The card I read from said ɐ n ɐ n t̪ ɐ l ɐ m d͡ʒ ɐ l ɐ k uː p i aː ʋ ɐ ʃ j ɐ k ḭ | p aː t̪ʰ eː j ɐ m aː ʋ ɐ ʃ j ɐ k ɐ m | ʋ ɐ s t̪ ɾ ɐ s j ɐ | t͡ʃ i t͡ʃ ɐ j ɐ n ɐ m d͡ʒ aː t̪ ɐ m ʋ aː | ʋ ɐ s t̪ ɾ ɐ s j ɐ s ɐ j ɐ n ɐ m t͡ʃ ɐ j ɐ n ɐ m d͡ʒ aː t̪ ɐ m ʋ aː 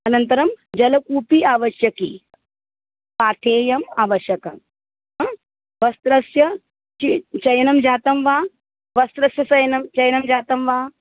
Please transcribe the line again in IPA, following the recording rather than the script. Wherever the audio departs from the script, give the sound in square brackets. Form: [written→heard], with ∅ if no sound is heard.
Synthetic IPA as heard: ɐ n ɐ n t̪ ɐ [l→ɾ] ɐ m d͡ʒ ɐ l ɐ k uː p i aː ʋ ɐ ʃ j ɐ k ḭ | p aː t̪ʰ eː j ɐ m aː ʋ ɐ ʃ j ɐ k ɐ m | ʋ ɐ s t̪ ɾ ɐ s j ɐ | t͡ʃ i t͡ʃ ɐ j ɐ n ɐ m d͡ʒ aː t̪ ɐ m ʋ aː | ʋ ɐ s t̪ ɾ ɐ s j ɐ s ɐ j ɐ n ɐ m t͡ʃ ɐ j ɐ n ɐ m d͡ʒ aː t̪ ɐ m ʋ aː